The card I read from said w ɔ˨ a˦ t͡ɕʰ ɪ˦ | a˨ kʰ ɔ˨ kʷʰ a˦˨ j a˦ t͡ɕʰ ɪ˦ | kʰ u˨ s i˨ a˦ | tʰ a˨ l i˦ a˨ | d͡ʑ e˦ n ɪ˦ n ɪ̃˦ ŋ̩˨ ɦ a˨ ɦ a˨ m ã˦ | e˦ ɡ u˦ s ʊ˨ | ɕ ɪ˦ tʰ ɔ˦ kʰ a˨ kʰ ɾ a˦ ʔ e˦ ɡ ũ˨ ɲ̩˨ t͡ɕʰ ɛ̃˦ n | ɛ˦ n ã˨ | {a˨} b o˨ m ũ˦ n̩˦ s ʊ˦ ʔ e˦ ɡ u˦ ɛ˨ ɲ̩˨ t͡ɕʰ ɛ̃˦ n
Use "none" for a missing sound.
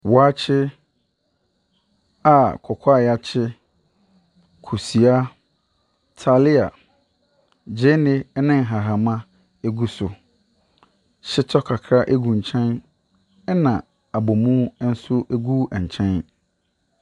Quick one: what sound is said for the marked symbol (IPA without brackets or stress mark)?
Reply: a˨